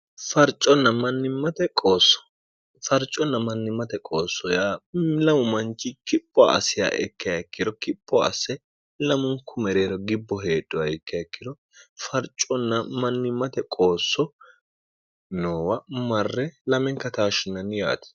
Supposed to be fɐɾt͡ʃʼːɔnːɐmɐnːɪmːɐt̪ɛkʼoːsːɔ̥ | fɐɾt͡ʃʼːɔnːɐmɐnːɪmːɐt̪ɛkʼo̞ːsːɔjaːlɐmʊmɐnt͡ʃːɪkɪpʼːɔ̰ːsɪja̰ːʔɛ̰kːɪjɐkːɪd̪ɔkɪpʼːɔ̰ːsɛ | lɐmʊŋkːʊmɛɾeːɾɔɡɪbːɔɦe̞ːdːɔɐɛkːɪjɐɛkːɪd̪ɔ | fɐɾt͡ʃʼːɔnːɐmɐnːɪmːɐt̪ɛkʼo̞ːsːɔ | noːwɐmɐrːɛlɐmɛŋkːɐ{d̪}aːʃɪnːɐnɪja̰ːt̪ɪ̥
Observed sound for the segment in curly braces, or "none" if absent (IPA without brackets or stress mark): t̪